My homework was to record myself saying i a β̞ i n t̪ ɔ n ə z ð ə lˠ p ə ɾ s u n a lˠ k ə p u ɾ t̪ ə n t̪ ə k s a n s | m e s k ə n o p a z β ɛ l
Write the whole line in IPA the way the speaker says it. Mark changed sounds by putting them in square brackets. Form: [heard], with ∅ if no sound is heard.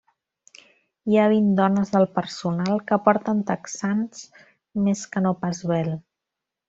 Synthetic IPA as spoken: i a β̞ i n [d̪] ɔ n ə z ð ə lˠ p ə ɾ s u n a lˠ k ə p [ɔ] ɾ t̪ ə n t̪ ə k s a n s | m e s k ə n o p a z β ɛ l